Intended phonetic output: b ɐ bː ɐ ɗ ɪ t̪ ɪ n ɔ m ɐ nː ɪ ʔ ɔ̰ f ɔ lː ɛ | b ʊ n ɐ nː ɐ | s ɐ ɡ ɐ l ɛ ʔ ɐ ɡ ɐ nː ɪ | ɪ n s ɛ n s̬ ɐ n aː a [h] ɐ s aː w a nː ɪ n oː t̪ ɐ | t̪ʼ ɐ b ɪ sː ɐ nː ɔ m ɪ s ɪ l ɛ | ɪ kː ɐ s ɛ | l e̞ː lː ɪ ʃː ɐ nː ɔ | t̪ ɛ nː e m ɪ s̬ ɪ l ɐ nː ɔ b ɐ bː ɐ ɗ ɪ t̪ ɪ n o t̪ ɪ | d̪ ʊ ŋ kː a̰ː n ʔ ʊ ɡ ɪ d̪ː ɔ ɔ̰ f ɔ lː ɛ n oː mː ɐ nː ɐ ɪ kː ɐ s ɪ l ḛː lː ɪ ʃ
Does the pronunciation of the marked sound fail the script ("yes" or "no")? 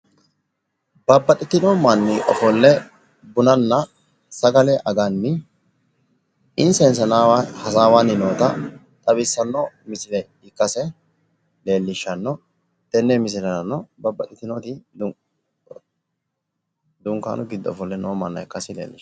no